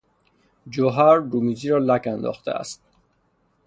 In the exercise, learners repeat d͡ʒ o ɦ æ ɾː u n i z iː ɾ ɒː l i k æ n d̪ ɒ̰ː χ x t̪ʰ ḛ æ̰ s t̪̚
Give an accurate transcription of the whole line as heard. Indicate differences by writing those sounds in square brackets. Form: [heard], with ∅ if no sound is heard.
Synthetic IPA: d͡ʒ o ɦ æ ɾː u [m] i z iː ɾ ɒː l [æ] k æ n d̪ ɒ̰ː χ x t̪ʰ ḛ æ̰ s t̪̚